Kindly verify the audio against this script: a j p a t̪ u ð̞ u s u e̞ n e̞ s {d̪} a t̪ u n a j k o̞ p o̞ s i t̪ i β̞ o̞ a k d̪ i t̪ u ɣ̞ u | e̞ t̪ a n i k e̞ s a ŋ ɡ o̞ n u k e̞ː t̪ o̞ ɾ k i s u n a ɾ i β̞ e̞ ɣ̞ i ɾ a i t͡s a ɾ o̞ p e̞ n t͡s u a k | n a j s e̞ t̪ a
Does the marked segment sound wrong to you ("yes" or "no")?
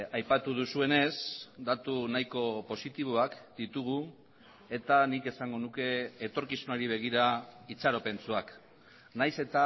no